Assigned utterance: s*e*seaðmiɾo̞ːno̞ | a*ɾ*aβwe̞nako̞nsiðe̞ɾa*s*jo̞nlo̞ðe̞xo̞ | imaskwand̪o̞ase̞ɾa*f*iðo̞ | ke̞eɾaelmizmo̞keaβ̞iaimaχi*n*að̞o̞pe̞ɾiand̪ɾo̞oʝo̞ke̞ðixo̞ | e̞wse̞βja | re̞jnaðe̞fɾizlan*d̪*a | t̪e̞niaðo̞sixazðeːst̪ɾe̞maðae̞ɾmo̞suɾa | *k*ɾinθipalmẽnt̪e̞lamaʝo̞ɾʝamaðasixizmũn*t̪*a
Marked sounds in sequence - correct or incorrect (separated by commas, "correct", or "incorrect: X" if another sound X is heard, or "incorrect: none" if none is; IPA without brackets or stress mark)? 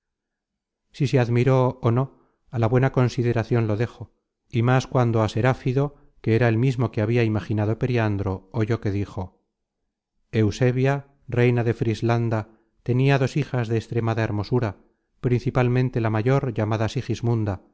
incorrect: i, incorrect: l, incorrect: θ, correct, correct, correct, incorrect: p, incorrect: d̪